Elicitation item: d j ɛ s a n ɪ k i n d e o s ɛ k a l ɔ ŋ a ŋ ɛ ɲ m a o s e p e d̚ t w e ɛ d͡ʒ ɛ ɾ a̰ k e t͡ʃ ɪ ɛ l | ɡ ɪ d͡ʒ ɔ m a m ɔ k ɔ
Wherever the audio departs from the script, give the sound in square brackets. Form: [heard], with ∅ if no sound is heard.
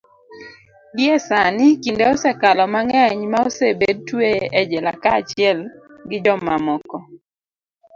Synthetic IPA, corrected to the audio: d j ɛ s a n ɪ k i n d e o s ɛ k a l ɔ [m] a ŋ ɛ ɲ m a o s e [b] e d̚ t w e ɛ d͡ʒ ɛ [l] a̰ k [a] t͡ʃ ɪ ɛ l | ɡ ɪ d͡ʒ ɔ m a m ɔ k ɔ